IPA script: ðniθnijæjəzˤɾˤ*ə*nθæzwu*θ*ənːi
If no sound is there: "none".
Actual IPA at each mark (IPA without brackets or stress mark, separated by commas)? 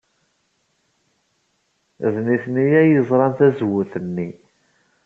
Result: ɑ, θ